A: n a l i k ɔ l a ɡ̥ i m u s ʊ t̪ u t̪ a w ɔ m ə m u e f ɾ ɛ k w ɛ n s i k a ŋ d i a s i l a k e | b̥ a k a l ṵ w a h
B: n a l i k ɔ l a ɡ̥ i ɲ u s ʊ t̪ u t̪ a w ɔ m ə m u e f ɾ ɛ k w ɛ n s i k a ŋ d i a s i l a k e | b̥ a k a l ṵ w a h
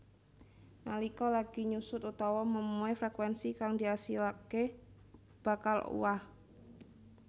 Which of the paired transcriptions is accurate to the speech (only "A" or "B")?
B